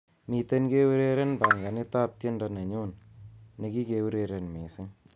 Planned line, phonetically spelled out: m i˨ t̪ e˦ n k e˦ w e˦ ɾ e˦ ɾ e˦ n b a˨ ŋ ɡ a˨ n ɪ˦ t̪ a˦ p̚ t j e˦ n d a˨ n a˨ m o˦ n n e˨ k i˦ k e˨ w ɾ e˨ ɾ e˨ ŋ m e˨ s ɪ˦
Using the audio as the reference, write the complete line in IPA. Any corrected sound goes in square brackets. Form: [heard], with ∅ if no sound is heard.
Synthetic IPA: m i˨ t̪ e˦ n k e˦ w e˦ ɾ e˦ ɾ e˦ n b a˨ ŋ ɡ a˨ n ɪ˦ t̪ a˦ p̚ t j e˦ n d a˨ n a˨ [ɲ] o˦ n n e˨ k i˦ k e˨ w ɾ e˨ ɾ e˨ [n] m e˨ s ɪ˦